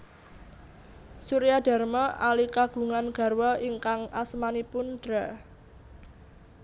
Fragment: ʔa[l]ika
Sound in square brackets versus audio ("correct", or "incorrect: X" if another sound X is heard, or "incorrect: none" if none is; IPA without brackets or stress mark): correct